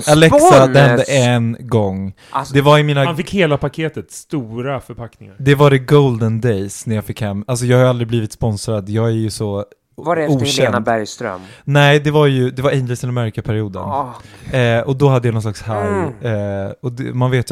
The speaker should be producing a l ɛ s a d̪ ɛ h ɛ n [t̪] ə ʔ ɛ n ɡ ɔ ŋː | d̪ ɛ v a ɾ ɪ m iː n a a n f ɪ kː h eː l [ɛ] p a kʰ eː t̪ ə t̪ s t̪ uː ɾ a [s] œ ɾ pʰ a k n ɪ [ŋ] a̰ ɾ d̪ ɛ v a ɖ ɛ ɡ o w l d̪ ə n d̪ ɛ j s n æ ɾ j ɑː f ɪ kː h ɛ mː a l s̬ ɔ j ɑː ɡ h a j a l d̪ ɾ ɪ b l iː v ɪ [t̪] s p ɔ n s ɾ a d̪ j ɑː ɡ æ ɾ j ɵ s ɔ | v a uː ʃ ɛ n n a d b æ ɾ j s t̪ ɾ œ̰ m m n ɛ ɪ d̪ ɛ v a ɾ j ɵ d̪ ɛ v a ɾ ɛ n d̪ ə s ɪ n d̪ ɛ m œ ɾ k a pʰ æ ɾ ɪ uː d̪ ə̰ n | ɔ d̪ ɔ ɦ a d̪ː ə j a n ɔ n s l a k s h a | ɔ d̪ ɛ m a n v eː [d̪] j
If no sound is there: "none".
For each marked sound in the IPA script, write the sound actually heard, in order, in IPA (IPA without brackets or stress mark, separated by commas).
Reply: d̪, a, f, ŋ, t̪, t̪